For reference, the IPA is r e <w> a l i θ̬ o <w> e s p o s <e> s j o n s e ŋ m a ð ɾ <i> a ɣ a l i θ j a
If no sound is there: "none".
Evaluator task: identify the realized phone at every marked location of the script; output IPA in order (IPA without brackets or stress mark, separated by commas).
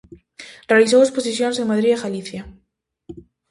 none, w, i, i